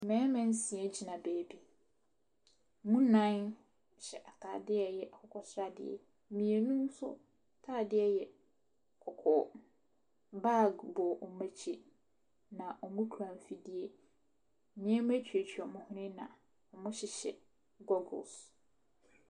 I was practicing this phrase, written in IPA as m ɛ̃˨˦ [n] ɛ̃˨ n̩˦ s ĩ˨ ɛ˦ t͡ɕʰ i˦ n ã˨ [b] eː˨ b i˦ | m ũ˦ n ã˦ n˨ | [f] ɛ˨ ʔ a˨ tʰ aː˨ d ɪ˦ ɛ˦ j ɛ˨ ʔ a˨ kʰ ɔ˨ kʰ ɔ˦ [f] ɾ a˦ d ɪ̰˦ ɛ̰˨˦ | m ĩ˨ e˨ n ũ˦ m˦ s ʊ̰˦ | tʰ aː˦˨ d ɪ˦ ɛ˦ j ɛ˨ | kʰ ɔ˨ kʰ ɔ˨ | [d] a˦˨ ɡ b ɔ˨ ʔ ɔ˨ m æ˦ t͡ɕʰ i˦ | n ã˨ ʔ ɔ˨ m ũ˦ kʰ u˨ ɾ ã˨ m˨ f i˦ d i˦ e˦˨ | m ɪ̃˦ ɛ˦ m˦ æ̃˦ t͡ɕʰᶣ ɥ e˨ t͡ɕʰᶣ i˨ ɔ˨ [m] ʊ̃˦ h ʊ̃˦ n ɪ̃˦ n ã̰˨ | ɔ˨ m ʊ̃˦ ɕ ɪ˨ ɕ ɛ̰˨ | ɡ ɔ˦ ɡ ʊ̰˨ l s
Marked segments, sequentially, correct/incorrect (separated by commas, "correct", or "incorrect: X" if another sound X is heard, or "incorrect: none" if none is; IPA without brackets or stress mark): incorrect: m, correct, incorrect: ɕ, incorrect: s, incorrect: b, correct